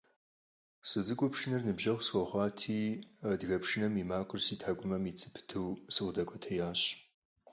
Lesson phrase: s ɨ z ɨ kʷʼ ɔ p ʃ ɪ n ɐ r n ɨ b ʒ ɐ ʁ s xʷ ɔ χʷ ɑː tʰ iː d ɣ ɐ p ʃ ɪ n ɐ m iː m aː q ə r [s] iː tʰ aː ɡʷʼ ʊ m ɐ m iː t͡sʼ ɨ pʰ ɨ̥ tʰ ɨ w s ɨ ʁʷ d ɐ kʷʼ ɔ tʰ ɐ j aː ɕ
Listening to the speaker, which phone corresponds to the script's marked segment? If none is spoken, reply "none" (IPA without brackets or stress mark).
s